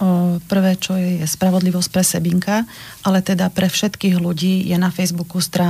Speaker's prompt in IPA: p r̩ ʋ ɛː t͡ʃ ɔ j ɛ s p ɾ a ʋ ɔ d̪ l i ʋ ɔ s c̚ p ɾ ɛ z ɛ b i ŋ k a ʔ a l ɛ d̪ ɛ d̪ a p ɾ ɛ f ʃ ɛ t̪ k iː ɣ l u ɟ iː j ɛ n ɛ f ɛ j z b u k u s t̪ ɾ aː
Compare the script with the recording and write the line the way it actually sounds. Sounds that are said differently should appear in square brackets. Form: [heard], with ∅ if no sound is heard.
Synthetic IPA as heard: p r̩ ʋ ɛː t͡ʃ ɔ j ɛ s p ɾ a ʋ ɔ d̪ l i ʋ ɔ s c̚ p ɾ ɛ [s] ɛ b i ŋ k a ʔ a l ɛ [t̪] ɛ d̪ a p ɾ ɛ f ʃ ɛ t̪ k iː ɣ l u ɟ iː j ɛ n [a] f ɛ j z b u k u s t̪ ɾ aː